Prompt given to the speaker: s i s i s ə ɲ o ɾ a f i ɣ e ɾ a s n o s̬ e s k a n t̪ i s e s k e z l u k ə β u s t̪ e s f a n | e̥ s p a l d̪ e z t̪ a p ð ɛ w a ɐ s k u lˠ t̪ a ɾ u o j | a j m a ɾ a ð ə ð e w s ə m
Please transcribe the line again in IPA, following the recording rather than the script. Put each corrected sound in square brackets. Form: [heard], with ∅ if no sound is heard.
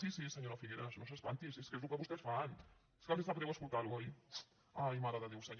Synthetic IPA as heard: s i s i s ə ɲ o ɾ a f i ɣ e ɾ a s n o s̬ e s [p] a n t̪ i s e s k e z l u k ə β u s t̪ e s f a n | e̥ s [k] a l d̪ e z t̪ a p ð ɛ w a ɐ s k u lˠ t̪ a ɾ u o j | a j m a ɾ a ð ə ð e w s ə [ɲ]